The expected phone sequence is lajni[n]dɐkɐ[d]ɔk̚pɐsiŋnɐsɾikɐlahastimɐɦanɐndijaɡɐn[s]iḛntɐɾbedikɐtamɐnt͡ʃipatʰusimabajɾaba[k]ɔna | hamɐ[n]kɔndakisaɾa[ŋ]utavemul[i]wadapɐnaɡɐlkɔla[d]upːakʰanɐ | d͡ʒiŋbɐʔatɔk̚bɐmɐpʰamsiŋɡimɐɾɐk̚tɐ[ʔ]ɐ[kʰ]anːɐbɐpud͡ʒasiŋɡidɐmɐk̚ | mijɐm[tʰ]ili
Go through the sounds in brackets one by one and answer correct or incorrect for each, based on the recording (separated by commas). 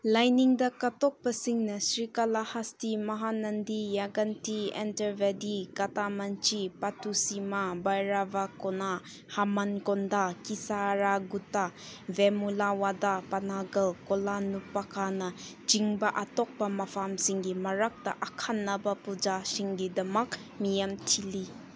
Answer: incorrect, incorrect, incorrect, correct, correct, incorrect, incorrect, incorrect, correct, correct, correct